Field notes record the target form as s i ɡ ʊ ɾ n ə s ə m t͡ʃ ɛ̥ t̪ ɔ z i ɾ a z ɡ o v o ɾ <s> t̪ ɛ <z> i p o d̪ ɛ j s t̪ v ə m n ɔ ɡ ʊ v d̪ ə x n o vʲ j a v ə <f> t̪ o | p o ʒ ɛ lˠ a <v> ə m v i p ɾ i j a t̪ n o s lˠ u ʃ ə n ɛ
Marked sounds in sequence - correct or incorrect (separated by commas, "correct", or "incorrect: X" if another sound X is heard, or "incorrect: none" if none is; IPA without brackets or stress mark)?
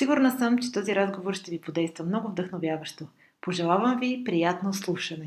incorrect: ʃ, incorrect: v, incorrect: ʃ, correct